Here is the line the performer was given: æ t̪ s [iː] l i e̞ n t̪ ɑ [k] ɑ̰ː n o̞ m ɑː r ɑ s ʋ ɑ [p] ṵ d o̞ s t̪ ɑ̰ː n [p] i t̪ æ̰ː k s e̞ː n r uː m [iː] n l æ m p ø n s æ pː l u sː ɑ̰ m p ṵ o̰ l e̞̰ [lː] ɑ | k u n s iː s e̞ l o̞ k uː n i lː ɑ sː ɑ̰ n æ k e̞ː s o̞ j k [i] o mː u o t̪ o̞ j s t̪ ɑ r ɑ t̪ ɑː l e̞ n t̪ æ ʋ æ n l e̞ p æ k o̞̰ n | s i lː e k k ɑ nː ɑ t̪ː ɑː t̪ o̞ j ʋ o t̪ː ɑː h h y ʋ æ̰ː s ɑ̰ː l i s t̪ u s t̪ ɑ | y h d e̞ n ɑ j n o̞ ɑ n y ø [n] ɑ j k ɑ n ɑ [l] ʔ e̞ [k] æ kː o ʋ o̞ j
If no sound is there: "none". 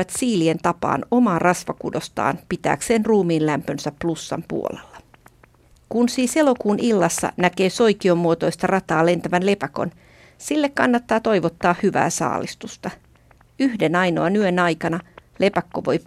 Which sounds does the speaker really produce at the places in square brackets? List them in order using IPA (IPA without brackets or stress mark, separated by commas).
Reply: iː, p, k, p, iː, lː, i, n, l, p